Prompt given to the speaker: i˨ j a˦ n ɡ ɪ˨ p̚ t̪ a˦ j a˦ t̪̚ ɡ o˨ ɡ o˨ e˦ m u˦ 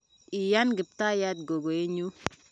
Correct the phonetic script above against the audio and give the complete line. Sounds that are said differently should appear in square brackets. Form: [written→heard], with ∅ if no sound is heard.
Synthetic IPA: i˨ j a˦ n ɡ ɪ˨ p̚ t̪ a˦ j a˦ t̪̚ ɡ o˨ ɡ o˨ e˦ [m→ɲ] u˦

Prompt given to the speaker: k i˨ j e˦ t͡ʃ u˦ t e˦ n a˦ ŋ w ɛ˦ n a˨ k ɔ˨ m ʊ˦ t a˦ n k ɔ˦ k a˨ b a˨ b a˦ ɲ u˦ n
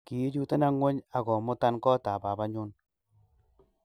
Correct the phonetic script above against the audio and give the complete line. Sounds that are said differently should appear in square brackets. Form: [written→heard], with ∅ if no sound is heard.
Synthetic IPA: k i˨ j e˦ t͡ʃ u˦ t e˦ n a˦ ŋ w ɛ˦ [n→ɲ] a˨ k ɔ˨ m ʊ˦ t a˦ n k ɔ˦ [k→t] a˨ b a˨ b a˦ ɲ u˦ n

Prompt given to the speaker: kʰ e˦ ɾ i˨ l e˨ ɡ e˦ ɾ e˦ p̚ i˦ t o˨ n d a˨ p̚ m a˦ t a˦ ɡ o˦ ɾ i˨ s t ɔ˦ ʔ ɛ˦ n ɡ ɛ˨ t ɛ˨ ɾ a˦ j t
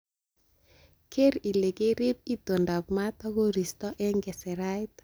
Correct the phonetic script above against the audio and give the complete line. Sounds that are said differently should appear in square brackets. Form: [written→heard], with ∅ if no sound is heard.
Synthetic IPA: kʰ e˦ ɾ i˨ l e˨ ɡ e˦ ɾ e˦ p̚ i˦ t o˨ n d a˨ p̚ m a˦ t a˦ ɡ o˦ ɾ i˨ s t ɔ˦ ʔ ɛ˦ [n→ŋ] ɡ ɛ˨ [t→s] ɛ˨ ɾ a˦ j t

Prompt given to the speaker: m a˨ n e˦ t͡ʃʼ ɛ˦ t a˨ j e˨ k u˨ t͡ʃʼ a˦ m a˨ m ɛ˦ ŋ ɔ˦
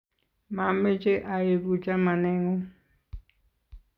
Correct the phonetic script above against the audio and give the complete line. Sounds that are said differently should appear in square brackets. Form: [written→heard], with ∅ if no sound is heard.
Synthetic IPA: m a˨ [n→m] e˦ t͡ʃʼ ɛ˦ [t→ʔ] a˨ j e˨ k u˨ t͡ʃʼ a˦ m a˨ [m→n] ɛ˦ ŋ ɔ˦

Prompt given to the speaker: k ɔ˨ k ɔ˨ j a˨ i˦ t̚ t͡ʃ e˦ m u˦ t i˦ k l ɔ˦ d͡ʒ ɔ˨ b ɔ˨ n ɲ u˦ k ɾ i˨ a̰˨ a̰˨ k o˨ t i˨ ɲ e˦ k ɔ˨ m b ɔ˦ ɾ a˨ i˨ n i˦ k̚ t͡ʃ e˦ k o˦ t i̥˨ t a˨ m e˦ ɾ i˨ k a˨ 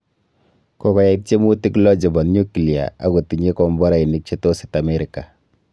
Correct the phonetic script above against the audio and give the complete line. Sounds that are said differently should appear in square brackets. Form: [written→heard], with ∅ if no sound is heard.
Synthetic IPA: k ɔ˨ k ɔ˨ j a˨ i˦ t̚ t͡ʃ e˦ m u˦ t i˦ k l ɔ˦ d͡ʒ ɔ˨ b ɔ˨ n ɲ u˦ k [ɾ→l] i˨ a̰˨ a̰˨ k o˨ t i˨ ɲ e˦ k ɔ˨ m b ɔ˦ ɾ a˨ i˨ n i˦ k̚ t͡ʃ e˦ [k→t] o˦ [t→s] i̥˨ t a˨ m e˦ ɾ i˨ k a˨

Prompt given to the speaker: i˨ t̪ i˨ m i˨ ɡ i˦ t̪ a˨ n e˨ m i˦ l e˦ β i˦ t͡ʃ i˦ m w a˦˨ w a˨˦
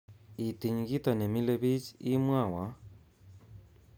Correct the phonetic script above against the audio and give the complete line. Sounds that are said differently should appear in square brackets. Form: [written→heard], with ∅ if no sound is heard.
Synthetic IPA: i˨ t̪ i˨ [m→ɲ] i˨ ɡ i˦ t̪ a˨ n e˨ m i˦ l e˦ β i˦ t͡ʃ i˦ m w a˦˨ w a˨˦

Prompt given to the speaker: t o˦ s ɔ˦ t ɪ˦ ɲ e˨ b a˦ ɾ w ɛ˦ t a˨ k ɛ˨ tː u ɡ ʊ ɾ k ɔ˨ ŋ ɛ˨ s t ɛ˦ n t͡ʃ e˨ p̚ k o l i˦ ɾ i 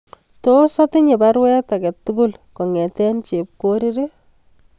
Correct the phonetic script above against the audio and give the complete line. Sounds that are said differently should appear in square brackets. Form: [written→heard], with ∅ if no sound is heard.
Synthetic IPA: t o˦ s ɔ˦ t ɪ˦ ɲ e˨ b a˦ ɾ w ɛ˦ t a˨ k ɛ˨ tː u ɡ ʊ [ɾ→l] k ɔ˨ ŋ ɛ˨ [s→∅] t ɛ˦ n t͡ʃ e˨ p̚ k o [l→ɾ] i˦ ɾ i

